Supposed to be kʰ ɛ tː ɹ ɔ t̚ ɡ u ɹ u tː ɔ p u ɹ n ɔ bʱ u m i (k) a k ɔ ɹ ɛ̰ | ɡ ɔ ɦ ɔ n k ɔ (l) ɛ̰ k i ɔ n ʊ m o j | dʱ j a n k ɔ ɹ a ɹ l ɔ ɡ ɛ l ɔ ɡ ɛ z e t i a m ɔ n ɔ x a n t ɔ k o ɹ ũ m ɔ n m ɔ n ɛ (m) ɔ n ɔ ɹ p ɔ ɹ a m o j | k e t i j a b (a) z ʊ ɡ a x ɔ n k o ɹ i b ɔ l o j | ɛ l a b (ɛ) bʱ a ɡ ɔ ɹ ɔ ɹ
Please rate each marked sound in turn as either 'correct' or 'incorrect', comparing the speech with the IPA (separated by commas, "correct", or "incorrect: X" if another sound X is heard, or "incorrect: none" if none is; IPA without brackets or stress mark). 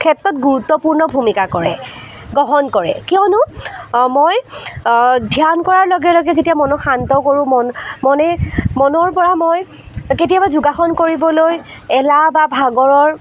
correct, incorrect: ɹ, correct, correct, incorrect: a